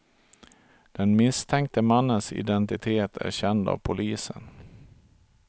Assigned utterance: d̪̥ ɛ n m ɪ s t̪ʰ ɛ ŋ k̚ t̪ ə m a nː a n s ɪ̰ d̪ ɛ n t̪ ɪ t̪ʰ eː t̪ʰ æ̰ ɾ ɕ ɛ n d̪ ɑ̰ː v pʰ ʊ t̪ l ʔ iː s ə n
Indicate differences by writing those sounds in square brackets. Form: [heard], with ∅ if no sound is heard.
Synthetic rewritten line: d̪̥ ɛ n m ɪ s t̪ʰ ɛ ŋ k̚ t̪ ə m a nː [ə] n s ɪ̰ d̪ ɛ n t̪ ɪ t̪ʰ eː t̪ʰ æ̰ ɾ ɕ ɛ n d̪ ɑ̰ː v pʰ ʊ [∅] l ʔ iː s ə n